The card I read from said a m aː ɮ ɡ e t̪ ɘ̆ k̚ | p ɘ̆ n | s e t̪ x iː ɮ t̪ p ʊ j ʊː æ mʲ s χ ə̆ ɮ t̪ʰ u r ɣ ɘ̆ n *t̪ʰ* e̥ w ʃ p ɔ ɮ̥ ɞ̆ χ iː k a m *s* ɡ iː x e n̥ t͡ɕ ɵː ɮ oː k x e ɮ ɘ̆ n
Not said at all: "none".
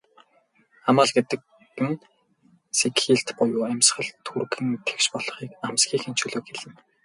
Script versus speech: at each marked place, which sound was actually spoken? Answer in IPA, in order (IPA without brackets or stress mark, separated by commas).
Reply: t̪ʰ, s